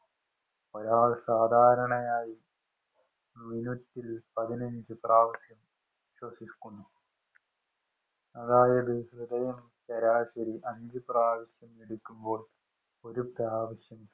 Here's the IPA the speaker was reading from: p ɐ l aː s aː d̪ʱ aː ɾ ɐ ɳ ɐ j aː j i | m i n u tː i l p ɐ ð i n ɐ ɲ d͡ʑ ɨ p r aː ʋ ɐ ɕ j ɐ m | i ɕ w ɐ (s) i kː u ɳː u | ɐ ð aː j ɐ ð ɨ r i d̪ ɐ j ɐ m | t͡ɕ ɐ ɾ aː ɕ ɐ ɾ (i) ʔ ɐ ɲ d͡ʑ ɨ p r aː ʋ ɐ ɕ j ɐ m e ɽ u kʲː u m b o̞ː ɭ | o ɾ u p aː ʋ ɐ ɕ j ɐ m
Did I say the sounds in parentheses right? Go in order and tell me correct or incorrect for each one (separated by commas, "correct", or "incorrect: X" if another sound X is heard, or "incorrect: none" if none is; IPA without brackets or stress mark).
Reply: correct, correct